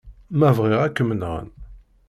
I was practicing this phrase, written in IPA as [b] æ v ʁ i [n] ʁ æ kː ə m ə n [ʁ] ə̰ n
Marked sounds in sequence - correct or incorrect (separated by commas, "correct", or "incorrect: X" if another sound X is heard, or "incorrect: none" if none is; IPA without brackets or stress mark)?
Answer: incorrect: m, incorrect: none, correct